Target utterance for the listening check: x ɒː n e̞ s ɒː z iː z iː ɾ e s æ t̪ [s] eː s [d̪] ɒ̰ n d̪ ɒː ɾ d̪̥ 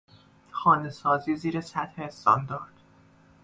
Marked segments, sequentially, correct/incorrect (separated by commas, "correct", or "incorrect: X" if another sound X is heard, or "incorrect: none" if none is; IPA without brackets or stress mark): incorrect: h, incorrect: t̪